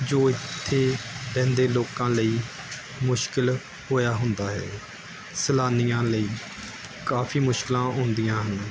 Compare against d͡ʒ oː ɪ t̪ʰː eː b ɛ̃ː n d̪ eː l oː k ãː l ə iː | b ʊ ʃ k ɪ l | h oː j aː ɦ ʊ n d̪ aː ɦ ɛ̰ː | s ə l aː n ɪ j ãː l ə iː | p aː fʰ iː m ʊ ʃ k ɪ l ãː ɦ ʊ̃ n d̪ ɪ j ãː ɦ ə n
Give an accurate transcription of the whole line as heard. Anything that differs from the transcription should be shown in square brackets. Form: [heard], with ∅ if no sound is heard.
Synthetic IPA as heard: d͡ʒ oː ɪ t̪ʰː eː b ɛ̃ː n d̪ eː l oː k ãː l ə iː | [m] ʊ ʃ k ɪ l | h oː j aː ɦ ʊ n d̪ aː ɦ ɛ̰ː | s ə l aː n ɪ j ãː l ə iː | [k] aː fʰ iː m ʊ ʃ k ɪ l ãː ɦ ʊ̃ n d̪ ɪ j ãː ɦ ə n

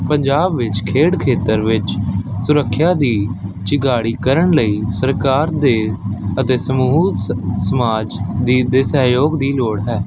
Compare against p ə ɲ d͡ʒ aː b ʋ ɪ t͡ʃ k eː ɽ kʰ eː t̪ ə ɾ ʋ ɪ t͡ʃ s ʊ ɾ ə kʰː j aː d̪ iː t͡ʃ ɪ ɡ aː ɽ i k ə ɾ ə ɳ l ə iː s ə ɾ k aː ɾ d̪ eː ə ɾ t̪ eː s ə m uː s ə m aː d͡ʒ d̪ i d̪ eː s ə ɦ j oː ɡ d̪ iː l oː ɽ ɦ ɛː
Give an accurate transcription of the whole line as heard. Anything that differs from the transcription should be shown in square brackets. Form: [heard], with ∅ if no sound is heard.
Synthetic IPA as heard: p ə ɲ d͡ʒ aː b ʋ ɪ t͡ʃ [kʰ] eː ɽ kʰ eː t̪ ə ɾ ʋ ɪ t͡ʃ s ʊ ɾ ə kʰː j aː d̪ iː t͡ʃ ɪ ɡ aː ɽ [iː] k ə ɾ ə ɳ l ə iː s ə ɾ k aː ɾ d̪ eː ə [∅] t̪ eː s ə m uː s ə m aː d͡ʒ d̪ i d̪ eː s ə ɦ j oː ɡ d̪ iː l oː ɽ ɦ ɛː

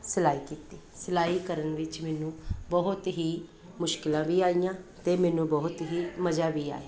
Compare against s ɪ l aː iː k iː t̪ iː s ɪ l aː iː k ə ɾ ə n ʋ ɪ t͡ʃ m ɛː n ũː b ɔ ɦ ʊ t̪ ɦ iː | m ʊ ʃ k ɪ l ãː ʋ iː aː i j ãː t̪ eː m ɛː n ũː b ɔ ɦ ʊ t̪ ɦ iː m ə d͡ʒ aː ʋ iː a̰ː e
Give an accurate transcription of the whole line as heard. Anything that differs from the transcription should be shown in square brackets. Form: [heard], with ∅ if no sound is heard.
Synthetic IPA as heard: s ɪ l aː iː k iː t̪ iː s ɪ l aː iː k ə ɾ ə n ʋ ɪ t͡ʃ m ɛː n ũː b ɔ ɦ ʊ t̪ ɦ iː | m ʊ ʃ k ɪ l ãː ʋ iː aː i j ãː t̪ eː m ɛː n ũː b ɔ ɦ ʊ t̪ ɦ iː m ə d͡ʒ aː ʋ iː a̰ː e

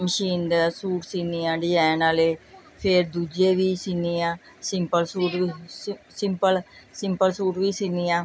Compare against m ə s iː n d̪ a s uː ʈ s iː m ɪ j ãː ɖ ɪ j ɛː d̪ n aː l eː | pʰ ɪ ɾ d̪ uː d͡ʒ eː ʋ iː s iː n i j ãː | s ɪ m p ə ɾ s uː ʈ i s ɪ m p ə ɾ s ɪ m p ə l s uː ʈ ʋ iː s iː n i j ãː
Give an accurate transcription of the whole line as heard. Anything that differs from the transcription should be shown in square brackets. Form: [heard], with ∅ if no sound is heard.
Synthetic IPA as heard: m ə [ʃ] iː n d̪ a s uː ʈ s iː [n] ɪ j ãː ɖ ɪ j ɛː [∅] n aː l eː | pʰ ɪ ɾ d̪ uː d͡ʒ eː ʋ iː s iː n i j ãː | s ɪ m p ə [l] s uː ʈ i s ɪ m p ə [l] s ɪ m p ə l s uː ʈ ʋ iː s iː n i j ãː

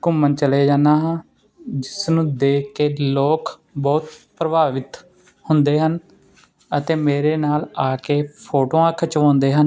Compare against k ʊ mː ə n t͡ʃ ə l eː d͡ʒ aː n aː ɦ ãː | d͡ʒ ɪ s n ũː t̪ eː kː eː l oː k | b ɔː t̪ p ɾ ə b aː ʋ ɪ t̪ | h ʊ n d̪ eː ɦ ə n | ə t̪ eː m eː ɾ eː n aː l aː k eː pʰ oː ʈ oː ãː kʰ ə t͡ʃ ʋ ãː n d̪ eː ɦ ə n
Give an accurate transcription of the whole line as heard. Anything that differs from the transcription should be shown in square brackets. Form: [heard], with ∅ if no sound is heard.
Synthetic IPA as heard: k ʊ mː ə n t͡ʃ ə l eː d͡ʒ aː n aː ɦ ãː | d͡ʒ ɪ s n ũː [d̪] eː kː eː l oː k | b ɔː t̪ p ɾ ə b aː ʋ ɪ t̪ | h ʊ n d̪ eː ɦ ə n | ə t̪ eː m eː ɾ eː n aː l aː k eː pʰ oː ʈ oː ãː kʰ ə t͡ʃ ʋ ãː n d̪ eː ɦ ə n

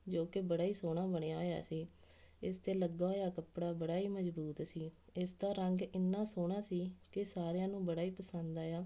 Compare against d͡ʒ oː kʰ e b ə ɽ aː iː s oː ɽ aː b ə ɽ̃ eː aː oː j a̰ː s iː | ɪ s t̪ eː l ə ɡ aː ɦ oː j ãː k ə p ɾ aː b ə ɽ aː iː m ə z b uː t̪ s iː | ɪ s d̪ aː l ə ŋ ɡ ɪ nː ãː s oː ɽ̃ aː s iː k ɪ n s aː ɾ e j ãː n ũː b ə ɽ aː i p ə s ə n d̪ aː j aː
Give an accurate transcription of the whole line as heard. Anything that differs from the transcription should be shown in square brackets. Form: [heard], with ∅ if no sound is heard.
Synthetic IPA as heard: d͡ʒ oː [k] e b ə ɽ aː iː s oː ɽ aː b ə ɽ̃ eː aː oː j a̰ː s iː | ɪ s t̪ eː l ə ɡ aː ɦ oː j [aː] k ə p [ɽ] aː b ə ɽ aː iː m ə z b uː t̪ s iː | ɪ s d̪ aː [ɾ] ə ŋ ɡ ɪ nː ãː s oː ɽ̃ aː s iː k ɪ [∅] s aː ɾ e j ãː n ũː b ə ɽ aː [iː] p ə s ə n d̪ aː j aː

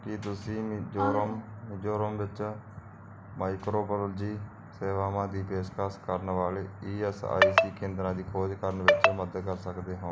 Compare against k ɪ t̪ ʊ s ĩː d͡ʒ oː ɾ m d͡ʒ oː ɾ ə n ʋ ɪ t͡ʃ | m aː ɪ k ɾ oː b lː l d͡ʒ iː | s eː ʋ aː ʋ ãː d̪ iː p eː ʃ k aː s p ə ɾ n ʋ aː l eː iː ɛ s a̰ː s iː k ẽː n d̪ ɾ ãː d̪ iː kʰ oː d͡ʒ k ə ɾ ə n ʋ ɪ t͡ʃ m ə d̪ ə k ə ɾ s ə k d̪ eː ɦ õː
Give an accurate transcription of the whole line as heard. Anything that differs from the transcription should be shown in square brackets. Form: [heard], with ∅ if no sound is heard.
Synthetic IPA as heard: k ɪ t̪ ʊ s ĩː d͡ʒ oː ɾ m d͡ʒ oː ɾ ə [m] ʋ ɪ t͡ʃ | m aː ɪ k ɾ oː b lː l d͡ʒ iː | s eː ʋ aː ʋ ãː d̪ iː p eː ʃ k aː s [k] ə ɾ n ʋ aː l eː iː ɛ s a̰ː s iː k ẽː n d̪ ɾ ãː d̪ iː kʰ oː d͡ʒ k ə ɾ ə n ʋ ɪ t͡ʃ m ə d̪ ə k ə ɾ s ə k d̪ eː ɦ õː

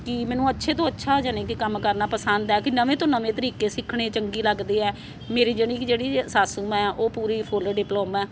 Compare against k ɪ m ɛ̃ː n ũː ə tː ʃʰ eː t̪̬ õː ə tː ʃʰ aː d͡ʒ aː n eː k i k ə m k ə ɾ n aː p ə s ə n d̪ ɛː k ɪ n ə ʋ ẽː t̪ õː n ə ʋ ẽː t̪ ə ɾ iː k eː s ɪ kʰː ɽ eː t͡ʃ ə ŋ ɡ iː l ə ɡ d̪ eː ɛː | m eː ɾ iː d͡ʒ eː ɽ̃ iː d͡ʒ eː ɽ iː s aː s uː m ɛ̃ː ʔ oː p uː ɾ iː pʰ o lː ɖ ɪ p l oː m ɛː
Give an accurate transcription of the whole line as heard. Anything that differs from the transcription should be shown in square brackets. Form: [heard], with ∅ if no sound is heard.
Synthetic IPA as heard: k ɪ m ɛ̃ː n ũː ə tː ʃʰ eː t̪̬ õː ə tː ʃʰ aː d͡ʒ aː n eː k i k ə m k ə ɾ n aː p ə s ə n d̪ ɛː k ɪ n ə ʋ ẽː t̪ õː n ə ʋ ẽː t̪ ə ɾ iː k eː s ɪ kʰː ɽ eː t͡ʃ ə ŋ ɡ iː l ə ɡ d̪ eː ɛː | m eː ɾ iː d͡ʒ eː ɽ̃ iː d͡ʒ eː ɽ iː s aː s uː m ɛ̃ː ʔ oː p uː ɾ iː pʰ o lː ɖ ɪ p l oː m ɛː

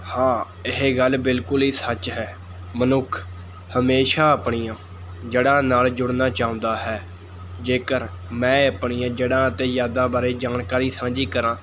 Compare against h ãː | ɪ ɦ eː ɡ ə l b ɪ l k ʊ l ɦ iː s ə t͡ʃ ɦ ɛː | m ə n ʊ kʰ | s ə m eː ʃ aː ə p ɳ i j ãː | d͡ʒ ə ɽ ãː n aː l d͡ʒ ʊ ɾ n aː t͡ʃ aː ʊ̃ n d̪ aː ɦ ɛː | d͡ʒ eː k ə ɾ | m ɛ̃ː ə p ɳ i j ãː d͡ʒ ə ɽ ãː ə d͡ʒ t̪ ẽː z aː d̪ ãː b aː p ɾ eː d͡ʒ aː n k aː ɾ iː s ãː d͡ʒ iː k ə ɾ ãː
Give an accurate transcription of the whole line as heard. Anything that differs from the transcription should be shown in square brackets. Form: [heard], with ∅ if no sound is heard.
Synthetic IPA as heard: h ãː | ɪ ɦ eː ɡ ə l b ɪ l k ʊ l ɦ iː s ə t͡ʃ ɦ ɛː | m ə n ʊ kʰ | [h] ə m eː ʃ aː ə p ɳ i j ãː | d͡ʒ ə ɽ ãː n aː l d͡ʒ ʊ [ɽ] n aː t͡ʃ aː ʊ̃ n d̪ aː ɦ ɛː | d͡ʒ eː k ə ɾ | m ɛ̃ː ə p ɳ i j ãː d͡ʒ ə ɽ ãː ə [∅] t̪ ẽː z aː d̪ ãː b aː [∅] ɾ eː d͡ʒ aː n k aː ɾ iː s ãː d͡ʒ iː k ə ɾ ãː

